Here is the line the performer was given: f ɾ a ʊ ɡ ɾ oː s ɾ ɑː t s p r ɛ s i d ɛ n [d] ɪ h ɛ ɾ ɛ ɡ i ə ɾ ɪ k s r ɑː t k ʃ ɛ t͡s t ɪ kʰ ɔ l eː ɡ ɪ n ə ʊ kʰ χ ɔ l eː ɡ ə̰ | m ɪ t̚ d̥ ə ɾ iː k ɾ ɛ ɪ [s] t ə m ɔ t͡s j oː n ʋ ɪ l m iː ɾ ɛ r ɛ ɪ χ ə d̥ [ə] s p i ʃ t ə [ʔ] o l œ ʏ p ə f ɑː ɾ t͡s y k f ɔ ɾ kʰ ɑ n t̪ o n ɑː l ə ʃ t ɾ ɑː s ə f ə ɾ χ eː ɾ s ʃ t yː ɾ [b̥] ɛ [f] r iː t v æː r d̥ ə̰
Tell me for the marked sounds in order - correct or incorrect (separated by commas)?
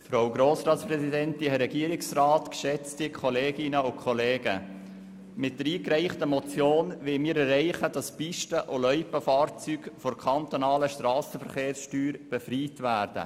incorrect, incorrect, incorrect, correct, correct, correct